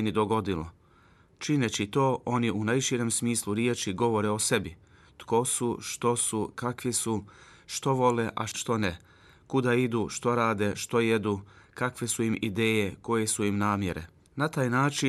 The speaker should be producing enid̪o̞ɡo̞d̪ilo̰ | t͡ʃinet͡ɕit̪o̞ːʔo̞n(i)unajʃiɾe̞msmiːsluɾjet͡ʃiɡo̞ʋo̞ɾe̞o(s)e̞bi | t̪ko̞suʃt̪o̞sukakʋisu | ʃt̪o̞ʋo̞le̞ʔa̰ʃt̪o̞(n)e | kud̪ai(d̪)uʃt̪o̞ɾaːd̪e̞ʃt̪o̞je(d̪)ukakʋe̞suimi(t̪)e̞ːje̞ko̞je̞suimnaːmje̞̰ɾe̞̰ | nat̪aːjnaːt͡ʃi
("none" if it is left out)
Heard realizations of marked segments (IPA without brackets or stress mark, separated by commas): i, s, n, d̪, d̪, d̪